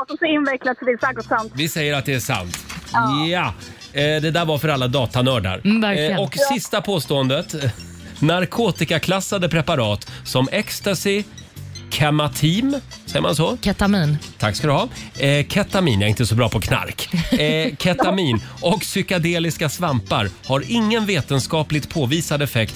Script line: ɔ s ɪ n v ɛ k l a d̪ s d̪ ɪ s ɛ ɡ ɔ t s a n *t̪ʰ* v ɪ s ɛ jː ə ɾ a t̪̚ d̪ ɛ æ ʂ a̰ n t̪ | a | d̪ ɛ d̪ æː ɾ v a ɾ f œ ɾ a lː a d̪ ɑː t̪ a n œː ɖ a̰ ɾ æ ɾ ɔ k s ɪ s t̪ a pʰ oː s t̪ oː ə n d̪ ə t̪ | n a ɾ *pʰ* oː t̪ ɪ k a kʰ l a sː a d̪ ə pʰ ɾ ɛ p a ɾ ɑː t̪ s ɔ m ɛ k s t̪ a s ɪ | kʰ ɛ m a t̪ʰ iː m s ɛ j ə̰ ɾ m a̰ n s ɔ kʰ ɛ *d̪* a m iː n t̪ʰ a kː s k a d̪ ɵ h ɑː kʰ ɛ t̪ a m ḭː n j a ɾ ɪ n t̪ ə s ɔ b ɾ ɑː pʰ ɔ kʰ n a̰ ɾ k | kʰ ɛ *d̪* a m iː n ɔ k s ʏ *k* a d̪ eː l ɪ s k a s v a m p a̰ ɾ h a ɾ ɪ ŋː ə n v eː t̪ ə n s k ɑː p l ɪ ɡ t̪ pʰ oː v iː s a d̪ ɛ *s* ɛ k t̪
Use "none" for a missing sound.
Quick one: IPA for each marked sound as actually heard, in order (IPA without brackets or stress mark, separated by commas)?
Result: t̪, kʰ, t̪, t̪, k, f